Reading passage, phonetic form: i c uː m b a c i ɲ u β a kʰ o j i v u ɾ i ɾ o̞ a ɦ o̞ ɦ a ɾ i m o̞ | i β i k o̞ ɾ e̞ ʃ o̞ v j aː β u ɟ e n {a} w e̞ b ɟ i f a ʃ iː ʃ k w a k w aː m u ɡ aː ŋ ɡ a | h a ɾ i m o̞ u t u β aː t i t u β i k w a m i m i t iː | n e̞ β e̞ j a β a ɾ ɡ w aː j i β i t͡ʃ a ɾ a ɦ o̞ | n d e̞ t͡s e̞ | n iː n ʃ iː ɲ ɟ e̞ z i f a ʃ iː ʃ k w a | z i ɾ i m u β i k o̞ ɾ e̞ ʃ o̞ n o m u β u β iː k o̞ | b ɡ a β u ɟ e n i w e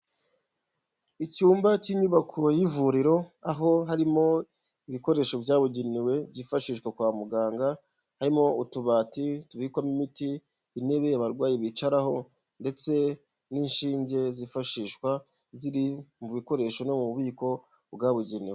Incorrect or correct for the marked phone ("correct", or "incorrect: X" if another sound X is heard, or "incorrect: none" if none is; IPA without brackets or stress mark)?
incorrect: i